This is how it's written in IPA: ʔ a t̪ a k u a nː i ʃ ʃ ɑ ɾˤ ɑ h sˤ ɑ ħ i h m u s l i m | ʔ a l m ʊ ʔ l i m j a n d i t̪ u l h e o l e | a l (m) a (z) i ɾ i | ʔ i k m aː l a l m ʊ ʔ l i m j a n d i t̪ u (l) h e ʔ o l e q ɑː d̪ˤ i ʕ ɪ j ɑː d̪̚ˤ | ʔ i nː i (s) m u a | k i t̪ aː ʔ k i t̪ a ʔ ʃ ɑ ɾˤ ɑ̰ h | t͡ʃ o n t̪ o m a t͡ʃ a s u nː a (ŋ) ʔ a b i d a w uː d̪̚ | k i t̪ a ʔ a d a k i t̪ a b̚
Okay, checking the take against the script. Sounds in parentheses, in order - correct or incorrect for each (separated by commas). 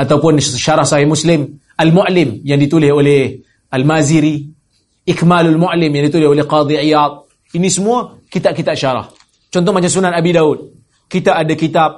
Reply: correct, correct, correct, correct, incorrect